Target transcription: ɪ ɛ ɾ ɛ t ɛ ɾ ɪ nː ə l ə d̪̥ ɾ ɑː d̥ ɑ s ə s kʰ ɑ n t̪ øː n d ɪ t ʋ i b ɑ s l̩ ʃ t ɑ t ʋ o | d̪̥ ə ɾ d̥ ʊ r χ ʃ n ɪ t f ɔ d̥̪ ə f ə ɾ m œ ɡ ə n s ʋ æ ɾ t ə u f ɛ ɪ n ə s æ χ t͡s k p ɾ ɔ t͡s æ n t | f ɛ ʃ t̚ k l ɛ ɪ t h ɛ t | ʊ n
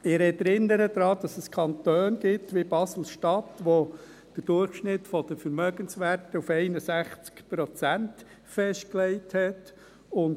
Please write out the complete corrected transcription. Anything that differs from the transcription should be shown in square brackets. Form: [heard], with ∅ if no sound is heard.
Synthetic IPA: ɪ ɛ ɾ ɛ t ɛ ɾ ɪ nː ə [ɾ] ə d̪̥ ɾ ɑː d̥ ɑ s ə s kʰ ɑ n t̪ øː n [ɡ] ɪ t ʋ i b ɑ s l̩ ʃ t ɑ t ʋ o | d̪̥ ə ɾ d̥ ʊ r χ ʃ n ɪ t f ɔ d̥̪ ə f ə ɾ m œ ɡ ə n s ʋ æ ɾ t ə u f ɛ ɪ n ə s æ χ t͡s k p ɾ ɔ t͡s æ n t | f ɛ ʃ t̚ k l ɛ ɪ t h ɛ t | ʊ n